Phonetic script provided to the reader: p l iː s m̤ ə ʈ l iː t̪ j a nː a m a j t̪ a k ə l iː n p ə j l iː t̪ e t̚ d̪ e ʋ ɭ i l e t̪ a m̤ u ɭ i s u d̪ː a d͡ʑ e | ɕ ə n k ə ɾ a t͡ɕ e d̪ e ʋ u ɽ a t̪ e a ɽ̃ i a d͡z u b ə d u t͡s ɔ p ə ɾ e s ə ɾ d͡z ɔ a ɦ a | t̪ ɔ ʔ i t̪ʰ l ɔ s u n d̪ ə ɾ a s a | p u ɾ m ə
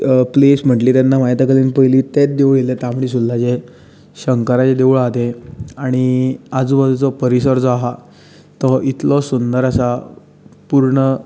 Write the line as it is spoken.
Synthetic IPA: p l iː s m̤ ə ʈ l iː t̪ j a nː a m a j t̪ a k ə l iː n p ə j l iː t̪ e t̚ d̪ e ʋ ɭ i l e t̪ a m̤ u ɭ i s u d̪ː a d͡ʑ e | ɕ ə ŋ k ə ɾ a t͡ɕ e d̪ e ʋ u ɭ a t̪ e a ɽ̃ i a d͡z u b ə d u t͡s ɔ p ə ɾ i s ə ɾ d͡z ɔ a ɦ a | t̪ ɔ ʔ i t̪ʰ l ɔ s u n d̪ ə ɾ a s a | p u ɾ ɳ ə